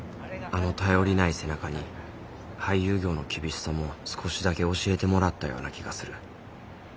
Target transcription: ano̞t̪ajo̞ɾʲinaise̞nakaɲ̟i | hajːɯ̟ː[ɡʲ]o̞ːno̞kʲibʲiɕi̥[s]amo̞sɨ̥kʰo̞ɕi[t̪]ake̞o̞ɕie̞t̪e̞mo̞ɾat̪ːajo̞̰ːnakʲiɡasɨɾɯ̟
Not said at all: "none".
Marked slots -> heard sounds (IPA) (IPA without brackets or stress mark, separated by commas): ɡʲ, s, d̪